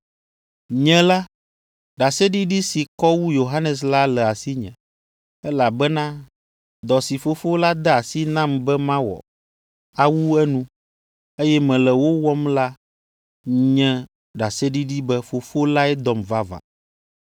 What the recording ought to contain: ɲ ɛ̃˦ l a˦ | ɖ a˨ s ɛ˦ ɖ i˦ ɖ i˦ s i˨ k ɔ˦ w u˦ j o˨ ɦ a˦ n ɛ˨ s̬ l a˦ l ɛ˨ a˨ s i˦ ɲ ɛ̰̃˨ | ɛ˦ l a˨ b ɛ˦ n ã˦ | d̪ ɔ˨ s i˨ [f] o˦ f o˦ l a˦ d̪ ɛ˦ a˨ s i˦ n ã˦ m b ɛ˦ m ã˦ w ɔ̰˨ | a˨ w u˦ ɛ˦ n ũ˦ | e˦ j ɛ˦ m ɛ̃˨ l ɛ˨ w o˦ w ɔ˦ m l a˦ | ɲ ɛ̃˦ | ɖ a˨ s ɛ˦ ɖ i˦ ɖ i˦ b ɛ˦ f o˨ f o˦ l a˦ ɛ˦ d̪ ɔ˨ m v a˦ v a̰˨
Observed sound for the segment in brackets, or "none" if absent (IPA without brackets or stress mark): f